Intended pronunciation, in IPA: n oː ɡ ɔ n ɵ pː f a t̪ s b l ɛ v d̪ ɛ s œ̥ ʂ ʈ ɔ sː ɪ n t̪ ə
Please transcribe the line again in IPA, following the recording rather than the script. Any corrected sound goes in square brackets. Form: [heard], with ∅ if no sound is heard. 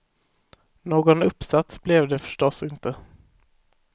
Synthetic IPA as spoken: n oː ɡ ɔ n ɵ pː [s] a t̪ s b l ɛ v d̪ ɛ [f] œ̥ ʂ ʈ ɔ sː ɪ n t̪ ə